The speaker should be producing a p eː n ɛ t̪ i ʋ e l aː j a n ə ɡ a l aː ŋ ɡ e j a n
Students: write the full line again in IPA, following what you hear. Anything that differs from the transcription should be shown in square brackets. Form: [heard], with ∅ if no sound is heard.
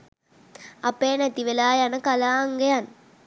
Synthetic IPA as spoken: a p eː n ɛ t̪ i ʋ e l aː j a n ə [k] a l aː ŋ ɡ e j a n